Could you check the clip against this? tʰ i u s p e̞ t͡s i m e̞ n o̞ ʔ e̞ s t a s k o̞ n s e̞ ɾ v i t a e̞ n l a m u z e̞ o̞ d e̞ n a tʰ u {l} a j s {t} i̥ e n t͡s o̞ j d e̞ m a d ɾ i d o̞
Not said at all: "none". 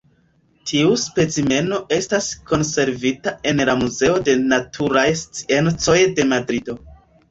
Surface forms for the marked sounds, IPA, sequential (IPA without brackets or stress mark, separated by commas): ɾ, t͡s